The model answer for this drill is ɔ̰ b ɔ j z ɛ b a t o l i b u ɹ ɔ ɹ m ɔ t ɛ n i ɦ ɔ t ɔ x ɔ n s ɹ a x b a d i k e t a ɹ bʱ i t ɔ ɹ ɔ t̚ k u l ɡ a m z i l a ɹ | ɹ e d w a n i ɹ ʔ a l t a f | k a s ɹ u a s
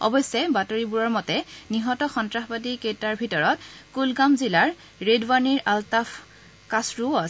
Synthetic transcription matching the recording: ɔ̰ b ɔ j s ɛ b a t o ɹ i b u ɹ ɔ ɹ m ɔ t ɛ n i ɦ ɔ t ɔ x ɔ n t ɹ a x b a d i k e t a ɹ bʱ i t ɔ ɹ ɔ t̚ k u l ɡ a m z i l a ɹ | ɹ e d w a n i ɹ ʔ a l t a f | k a s ɹ u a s

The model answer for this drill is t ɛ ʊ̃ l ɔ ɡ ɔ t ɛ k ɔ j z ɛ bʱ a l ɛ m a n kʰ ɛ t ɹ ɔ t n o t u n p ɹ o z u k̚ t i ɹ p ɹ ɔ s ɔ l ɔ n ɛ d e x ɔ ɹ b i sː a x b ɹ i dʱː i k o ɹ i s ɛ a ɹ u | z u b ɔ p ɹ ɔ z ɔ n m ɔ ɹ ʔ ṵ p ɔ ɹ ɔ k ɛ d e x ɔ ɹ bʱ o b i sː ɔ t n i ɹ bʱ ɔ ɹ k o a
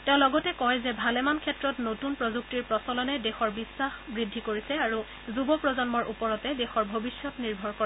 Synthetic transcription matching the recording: t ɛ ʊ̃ l ɔ ɡ ɔ t ɛ k ɔ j z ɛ bʱ a l ɛ m a n kʰ ɛ t ɹ ɔ t n o t u n p ɹ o z u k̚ t i ɹ p ɹ ɔ s ɔ l ɔ n ɛ d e x ɔ ɹ b i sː a x b ɹ i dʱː i k o ɹ i s ɛ a ɹ u | z u b ɔ p ɹ ɔ z ɔ n m ɔ ɹ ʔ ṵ p ɔ ɹ ɔ t ɛ d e x ɔ ɹ bʱ o b i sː ɔ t n i ɹ bʱ ɔ ɹ k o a

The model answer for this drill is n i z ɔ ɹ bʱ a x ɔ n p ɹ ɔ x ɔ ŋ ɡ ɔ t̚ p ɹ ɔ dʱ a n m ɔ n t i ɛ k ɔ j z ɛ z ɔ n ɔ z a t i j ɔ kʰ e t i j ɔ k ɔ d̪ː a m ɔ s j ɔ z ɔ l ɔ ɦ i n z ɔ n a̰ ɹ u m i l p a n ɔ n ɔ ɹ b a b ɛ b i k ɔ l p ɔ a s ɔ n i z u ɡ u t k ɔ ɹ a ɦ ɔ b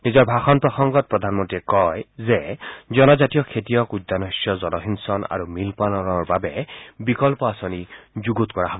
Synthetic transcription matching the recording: n i z ɔ ɹ bʱ a x ɔ n p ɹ ɔ x ɔ ŋ ɡ ɔ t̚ p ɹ ɔ dʱ a n m ɔ n t i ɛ k ɔ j z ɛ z ɔ n ɔ z a t i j ɔ kʰ e t i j ɔ k u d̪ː a n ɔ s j ɔ z ɔ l ɔ ɦ i n s ɔ n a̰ ɹ u m i l p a n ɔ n ɔ ɹ b a b ɛ b i k ɔ l p ɔ a s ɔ n i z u ɡ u t k ɔ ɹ a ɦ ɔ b

